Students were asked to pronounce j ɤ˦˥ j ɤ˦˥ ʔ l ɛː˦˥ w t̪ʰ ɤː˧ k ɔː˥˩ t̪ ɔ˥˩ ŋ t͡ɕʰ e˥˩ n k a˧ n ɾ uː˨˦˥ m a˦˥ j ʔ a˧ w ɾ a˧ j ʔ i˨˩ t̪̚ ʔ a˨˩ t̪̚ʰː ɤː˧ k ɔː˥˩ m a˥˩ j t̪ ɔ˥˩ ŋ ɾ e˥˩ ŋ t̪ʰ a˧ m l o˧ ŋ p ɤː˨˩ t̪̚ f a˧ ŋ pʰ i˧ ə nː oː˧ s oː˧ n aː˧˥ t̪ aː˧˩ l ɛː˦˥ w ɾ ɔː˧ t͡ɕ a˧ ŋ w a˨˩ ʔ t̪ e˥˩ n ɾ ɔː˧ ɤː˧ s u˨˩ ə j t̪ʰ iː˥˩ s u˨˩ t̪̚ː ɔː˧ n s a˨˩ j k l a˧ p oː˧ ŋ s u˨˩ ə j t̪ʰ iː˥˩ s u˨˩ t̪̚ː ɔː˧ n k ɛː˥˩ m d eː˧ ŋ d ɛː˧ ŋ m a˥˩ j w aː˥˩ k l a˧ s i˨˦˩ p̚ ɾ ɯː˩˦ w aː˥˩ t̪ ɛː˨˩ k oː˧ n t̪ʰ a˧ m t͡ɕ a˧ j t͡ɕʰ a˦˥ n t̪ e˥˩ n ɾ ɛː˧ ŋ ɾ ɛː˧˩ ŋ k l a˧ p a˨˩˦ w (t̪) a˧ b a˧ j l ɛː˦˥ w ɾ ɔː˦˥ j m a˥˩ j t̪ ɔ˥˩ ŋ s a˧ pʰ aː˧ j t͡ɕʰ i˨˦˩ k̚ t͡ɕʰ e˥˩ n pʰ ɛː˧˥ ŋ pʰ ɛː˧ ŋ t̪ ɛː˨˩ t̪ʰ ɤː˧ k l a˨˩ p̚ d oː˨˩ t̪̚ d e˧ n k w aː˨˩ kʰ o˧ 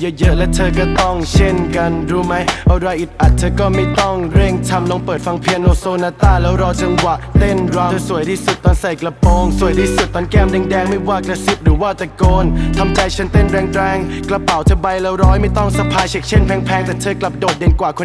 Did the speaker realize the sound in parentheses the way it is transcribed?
no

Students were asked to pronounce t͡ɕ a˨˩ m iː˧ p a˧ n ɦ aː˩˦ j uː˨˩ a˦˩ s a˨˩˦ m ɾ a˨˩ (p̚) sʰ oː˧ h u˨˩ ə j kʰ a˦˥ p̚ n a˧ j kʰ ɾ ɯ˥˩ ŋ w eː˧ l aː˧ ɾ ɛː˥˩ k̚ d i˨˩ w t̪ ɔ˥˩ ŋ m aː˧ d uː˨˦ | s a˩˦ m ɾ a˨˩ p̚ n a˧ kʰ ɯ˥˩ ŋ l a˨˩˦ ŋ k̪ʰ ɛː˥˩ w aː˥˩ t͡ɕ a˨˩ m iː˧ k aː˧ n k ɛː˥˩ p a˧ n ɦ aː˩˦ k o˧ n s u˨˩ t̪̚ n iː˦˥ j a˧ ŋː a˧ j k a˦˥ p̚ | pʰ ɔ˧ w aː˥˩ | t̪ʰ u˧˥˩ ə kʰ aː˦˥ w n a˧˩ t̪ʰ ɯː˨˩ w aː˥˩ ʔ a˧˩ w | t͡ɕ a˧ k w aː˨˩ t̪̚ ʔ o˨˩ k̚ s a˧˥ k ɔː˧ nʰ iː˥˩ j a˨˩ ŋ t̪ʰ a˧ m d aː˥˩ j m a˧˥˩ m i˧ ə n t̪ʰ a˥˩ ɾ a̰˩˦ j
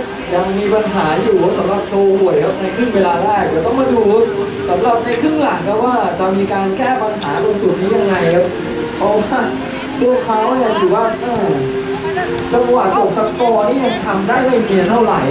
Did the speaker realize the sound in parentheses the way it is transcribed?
yes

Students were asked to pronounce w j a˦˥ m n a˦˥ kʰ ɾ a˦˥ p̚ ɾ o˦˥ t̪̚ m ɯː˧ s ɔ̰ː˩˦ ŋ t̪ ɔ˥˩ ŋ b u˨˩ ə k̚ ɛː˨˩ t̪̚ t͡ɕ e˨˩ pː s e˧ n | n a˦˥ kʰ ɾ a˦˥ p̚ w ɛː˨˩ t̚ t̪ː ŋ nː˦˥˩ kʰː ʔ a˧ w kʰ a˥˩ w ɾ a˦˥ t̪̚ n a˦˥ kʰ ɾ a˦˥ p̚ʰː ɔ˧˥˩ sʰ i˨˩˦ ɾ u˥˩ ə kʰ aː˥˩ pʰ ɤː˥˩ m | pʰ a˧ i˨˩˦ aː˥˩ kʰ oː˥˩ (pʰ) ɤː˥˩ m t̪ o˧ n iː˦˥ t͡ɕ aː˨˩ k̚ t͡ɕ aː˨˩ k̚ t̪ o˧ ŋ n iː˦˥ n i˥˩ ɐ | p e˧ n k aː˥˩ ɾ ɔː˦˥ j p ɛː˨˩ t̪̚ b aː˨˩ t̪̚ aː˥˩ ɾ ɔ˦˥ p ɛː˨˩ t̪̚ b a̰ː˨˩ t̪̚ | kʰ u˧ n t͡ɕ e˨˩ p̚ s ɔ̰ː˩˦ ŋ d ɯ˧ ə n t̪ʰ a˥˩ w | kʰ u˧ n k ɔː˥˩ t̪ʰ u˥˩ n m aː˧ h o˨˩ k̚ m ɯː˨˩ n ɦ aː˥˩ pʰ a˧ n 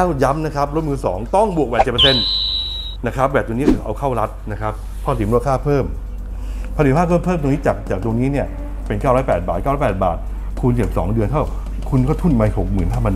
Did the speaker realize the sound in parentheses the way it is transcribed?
yes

